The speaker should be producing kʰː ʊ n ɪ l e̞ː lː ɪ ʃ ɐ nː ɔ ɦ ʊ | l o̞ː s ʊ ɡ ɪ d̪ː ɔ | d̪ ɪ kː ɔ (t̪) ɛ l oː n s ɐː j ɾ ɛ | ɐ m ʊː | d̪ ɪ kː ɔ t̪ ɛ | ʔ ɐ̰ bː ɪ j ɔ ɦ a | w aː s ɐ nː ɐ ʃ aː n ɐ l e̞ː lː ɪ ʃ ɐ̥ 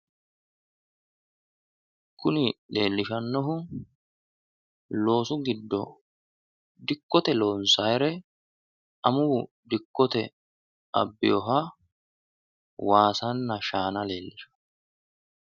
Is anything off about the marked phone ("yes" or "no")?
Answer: no